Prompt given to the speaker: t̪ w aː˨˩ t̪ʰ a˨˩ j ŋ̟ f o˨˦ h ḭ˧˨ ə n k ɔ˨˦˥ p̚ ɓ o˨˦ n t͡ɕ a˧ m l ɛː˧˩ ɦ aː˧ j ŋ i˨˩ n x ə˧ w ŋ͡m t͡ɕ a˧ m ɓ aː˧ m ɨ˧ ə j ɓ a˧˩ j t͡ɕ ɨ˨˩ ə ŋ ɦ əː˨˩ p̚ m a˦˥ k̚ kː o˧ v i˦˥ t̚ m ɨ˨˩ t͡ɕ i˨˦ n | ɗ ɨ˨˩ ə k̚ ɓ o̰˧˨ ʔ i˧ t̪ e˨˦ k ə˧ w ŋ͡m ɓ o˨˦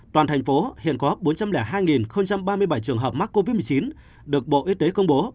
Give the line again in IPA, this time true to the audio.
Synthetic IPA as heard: t̪ w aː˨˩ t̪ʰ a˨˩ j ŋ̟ f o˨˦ h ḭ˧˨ ə n k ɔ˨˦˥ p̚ ɓ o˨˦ n t͡ɕ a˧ m l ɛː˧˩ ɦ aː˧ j ŋ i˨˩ n x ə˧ w ŋ͡m t͡ɕ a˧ m ɓ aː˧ m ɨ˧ ə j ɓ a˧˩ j t͡ɕ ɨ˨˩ ə ŋ ɦ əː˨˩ p̚ m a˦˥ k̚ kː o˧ v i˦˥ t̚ m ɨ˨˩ t͡ɕ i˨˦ n | ɗ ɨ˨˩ ə k̚ ɓ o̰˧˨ ʔ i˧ t̪ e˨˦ k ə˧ w ŋ͡m ɓ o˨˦

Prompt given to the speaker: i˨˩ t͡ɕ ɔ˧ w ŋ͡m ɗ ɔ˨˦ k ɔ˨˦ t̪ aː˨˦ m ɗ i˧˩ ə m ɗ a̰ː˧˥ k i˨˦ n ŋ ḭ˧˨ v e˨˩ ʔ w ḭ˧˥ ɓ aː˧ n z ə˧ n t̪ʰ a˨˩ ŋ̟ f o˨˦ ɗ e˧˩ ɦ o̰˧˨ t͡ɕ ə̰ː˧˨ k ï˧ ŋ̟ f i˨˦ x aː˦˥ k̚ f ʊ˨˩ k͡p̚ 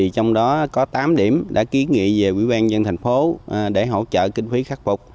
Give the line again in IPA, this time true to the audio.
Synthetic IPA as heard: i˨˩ t͡ɕ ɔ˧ w ŋ͡m ɗ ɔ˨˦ k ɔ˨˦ t̪ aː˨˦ m ɗ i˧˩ ə m ɗ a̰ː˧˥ k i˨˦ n ŋ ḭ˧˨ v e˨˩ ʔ w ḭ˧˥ ɓ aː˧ n z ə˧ n t̪ʰ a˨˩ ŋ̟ f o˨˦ ɗ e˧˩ ɦ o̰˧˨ t͡ɕ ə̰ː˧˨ k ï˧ ŋ̟ f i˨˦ x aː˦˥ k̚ f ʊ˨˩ k͡p̚

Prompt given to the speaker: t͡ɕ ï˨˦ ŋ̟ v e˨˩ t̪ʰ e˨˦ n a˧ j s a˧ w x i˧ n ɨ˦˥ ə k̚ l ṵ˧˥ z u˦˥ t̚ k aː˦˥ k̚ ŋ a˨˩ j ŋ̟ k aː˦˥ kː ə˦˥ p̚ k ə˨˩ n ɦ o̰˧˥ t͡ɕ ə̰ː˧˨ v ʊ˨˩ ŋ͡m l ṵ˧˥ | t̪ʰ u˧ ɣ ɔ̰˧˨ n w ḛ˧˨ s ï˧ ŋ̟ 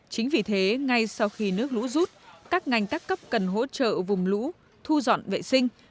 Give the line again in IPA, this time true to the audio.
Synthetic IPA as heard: t͡ɕ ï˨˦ ŋ̟ v i˨˩ t̪ʰ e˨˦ ŋ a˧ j s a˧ w x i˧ n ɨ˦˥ ə k̚ l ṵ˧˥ z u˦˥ t̚ k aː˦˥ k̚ ŋ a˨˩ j ŋ̟ k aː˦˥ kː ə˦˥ p̚ k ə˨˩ n ɦ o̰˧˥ t͡ɕ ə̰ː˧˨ v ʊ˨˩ ŋ͡m l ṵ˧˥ | t̪ʰ u˧ z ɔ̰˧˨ n v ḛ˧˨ s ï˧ ŋ̟

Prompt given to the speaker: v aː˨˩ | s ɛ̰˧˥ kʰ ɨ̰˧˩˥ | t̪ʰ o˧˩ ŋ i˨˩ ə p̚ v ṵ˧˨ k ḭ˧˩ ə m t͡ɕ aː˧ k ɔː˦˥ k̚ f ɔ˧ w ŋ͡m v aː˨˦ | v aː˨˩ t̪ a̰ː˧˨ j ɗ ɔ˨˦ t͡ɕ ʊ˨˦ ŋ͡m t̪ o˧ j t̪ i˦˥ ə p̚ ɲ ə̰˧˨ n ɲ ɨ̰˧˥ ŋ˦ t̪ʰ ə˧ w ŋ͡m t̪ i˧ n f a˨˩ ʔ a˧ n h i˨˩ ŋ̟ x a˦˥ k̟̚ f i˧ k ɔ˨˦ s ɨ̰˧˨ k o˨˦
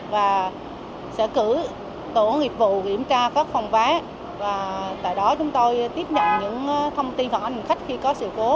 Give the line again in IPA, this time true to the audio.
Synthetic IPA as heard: v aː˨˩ | s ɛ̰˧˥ k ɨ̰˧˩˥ | t̪ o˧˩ ŋ i˨˩ ə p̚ v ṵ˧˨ k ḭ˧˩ ə m t͡ɕ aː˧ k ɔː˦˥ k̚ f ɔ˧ w ŋ͡m v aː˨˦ | v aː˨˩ t̪ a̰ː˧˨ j ɗ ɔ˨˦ t͡ɕ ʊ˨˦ ŋ͡m t̪ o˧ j t̪ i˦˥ ə p̚ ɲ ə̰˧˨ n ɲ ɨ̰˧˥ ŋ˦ t̪ʰ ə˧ w ŋ͡m t̪ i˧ n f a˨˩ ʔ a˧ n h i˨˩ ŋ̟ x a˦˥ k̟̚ x i˧ k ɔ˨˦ s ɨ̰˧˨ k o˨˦

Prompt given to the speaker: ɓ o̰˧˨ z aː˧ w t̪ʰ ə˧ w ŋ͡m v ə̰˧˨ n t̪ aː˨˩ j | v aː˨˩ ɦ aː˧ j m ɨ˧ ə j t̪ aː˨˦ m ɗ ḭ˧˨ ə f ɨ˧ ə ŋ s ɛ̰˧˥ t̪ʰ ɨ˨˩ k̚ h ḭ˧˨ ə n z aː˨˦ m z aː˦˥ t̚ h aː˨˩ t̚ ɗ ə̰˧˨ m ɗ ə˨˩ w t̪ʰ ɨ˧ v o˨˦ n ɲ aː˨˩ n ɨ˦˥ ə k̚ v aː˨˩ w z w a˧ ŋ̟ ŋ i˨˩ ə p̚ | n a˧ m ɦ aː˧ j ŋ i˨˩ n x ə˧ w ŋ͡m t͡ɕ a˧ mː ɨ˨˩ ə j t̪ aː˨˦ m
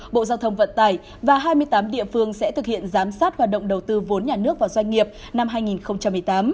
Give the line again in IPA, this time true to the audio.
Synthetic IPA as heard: ɓ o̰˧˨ z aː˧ w t̪ʰ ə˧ w ŋ͡m v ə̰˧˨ n t̪ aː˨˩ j | v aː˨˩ ɦ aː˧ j m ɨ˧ ə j t̪ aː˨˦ m ɗ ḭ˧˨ ə f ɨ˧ ə ŋ s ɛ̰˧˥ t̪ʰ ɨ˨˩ k̚ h ḭ˧˨ ə n z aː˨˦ m s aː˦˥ t̚ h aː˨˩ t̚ ɗ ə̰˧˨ ŋ͡m ɗ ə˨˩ w t̪ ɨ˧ v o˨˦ n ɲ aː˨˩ n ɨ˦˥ ə k̚ v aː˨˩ w z w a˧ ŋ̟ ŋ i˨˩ ə p̚ | n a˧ m ɦ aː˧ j ŋ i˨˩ n x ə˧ w ŋ͡m t͡ɕ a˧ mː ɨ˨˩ ə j t̪ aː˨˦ m

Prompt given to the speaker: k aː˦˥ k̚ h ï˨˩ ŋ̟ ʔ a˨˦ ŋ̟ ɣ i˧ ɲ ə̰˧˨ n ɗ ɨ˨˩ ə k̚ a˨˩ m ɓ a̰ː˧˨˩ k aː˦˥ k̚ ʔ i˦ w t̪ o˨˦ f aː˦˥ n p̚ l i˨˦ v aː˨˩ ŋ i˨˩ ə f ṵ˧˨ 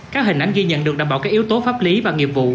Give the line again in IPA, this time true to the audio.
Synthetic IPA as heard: k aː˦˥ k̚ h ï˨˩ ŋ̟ ʔ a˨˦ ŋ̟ ɣ i˧ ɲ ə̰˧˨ n ɗ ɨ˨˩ ə k̚ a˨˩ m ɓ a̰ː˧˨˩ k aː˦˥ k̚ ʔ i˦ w t̪ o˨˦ f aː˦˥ p̚ l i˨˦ v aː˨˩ ŋ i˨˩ ə v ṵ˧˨

